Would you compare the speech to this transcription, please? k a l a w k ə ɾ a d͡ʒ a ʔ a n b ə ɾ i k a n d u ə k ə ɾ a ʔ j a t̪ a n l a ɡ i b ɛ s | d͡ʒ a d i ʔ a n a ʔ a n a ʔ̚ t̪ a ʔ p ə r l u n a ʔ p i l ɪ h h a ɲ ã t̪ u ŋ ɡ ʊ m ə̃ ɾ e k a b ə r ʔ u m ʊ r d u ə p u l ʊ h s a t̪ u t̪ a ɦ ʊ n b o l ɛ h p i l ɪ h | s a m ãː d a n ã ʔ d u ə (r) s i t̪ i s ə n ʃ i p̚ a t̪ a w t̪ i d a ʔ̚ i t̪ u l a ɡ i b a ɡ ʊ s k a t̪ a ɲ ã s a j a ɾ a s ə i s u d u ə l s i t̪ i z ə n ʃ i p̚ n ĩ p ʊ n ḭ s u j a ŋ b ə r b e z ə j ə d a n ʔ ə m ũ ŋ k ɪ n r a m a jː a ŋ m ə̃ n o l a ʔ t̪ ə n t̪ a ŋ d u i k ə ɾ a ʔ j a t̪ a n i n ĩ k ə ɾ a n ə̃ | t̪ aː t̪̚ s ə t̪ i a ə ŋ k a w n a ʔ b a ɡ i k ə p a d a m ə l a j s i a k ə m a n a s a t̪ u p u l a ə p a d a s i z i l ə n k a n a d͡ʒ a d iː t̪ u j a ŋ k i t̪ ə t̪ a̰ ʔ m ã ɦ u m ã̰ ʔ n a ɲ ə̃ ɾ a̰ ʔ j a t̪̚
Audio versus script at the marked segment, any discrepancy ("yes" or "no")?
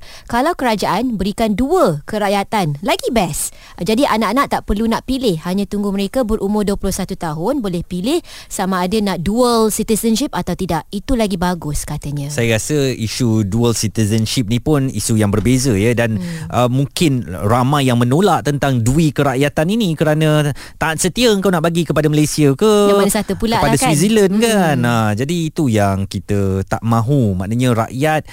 yes